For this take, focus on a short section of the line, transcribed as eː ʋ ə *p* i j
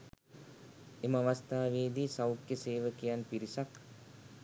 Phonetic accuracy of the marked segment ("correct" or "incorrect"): incorrect